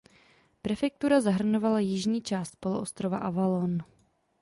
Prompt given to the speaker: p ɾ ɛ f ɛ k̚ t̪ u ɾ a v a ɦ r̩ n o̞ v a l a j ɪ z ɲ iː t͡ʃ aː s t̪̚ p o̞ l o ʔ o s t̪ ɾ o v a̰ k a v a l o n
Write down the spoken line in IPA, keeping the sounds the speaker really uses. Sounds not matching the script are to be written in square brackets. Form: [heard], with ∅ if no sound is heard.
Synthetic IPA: p ɾ ɛ f ɛ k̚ t̪ u ɾ a [z] a ɦ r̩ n o̞ v a l a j ɪ [ʒ] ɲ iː t͡ʃ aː s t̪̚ p o̞ l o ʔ o s t̪ ɾ o v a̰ [ʔ] a v a l o n